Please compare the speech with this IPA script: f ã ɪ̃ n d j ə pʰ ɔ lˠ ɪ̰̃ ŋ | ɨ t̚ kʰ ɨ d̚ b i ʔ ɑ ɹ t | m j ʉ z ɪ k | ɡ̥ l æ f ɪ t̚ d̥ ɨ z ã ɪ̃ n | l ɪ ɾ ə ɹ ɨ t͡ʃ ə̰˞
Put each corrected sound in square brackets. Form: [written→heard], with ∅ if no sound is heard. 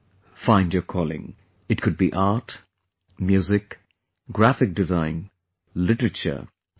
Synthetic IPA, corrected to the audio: f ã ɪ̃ n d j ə [pʰ→kʰ] ɔ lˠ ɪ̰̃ ŋ | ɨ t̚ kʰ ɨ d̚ b i ʔ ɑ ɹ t | m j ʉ z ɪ k | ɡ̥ [l→ɹ] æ f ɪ [t̚→k̚] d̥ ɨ z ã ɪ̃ n | l ɪ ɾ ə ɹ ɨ t͡ʃ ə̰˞